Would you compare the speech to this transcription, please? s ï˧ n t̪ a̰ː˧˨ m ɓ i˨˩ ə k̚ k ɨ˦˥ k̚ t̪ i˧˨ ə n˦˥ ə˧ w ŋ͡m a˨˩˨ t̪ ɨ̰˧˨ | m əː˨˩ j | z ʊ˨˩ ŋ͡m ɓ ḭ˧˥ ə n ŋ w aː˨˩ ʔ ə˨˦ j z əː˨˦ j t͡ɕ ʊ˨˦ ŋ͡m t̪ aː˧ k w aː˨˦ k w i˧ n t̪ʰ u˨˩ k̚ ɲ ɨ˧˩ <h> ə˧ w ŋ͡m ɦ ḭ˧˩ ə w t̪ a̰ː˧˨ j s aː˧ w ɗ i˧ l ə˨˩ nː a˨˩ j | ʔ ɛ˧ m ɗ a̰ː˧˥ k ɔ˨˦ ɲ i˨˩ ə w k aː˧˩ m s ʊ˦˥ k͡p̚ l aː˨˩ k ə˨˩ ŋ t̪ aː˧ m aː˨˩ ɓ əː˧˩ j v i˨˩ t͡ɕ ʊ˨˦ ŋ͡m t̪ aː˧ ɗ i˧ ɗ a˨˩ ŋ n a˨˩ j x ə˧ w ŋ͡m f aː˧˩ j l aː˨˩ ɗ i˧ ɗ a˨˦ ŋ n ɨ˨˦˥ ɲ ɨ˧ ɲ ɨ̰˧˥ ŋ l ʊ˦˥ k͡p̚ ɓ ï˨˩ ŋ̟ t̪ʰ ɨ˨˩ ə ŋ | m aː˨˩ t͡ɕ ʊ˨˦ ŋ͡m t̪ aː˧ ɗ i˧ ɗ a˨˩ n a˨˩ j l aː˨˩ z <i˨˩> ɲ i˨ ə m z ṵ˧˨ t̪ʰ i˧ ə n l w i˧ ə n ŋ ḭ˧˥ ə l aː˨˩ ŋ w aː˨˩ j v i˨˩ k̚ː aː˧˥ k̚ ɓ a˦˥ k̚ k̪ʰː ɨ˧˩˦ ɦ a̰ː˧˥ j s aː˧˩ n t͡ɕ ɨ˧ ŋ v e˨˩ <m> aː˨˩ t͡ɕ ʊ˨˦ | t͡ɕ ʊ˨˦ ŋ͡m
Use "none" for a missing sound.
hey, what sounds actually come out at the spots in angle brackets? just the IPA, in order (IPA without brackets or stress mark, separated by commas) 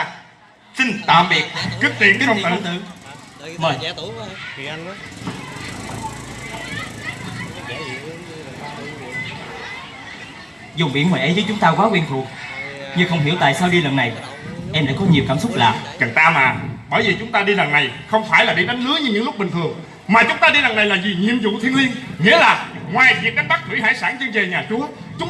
x, i˨˩, ɲ